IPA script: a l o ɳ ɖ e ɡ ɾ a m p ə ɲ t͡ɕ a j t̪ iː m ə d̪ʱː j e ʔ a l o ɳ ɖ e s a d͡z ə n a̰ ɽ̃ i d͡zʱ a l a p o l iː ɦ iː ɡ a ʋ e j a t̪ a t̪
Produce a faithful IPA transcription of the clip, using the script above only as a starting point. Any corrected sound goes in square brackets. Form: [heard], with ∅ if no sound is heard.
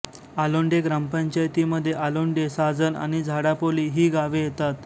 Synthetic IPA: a l o ɳ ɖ e ɡ ɾ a m p ə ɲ t͡ɕ a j t̪ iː m ə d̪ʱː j e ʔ a l o ɳ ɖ e s a d͡z ə n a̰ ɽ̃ i d͡zʱ a [ɽ] a p o l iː ɦ iː ɡ a ʋ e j [e] t̪ a t̪

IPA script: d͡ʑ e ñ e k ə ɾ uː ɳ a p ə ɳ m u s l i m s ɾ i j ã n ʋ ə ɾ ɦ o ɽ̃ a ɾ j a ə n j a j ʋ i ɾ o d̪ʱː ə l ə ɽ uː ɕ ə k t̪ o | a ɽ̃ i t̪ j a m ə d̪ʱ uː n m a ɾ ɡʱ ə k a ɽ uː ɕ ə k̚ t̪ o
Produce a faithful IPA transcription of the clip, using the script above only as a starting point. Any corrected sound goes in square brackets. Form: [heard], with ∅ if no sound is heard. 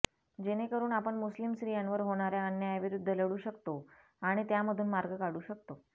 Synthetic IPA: d͡ʑ e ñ e k ə ɾ uː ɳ a p ə ɳ m u s l i m s ɾ i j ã n ʋ ə ɾ ɦ o ɽ̃ a ɾ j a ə n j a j ʋ i ɾ [u] d̪ʱː ə l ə ɽ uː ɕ ə k t̪ o | a ɽ̃ i t̪ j a m ə d̪ʱ uː n m a ɾ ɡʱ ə k a ɽ uː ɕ ə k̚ t̪ o

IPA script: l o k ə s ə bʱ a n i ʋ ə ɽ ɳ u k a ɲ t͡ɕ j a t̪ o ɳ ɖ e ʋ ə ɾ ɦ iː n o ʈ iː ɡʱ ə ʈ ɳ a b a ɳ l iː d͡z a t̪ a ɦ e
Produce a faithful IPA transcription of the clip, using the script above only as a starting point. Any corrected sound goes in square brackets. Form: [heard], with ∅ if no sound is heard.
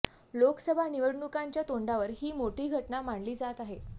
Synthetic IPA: l o k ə s ə bʱ a n i ʋ ə ɽ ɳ u k a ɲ t͡ɕ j a t̪ o ɳ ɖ [a] ʋ ə ɾ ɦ iː [m] o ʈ iː ɡʱ ə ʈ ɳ a [m] a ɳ l iː d͡z a t̪ a ɦ e

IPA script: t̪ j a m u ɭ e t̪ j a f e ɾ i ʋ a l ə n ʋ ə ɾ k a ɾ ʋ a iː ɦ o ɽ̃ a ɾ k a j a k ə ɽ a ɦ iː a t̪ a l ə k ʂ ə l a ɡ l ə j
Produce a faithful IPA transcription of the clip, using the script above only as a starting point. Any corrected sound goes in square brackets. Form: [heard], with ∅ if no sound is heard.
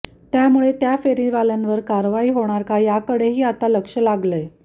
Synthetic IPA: t̪ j a m u ɭ e t̪ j a f e ɾ i ʋ a l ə n ʋ ə ɾ k a ɾ ʋ a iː ɦ o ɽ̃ a ɾ k a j a k ə ɽ [e] ɦ iː a t̪ a l ə k ʂ ə l a ɡ l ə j

